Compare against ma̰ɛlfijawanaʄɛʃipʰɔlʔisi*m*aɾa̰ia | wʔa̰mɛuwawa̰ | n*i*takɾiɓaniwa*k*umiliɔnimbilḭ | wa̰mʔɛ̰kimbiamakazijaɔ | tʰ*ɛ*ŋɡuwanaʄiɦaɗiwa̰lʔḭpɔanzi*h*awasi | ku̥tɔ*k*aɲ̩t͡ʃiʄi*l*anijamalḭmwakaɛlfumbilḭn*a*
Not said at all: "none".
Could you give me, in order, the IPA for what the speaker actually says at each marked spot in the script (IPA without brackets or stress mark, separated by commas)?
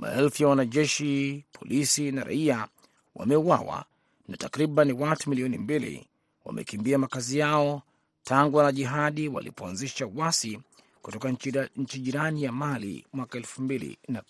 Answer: n, a, t, a, ʃ, k, ɾ, a